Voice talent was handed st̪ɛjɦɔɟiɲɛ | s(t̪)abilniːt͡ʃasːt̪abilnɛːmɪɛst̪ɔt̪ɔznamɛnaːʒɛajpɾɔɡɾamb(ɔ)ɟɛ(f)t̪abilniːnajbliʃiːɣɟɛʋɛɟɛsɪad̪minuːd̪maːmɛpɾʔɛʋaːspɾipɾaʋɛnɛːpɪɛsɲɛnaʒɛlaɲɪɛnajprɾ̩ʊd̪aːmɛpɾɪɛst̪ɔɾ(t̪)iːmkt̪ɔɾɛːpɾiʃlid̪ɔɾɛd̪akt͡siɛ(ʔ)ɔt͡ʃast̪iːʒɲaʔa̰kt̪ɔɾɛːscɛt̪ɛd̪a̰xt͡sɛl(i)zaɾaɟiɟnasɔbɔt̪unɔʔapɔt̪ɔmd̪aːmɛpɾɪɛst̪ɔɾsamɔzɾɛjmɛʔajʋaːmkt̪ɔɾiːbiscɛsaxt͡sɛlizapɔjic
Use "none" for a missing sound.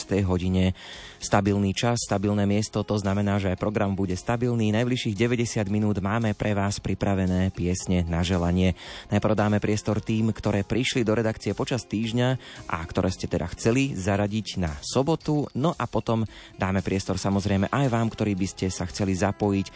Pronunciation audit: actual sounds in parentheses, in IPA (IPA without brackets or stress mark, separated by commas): t̪, u, s, t̪, p, i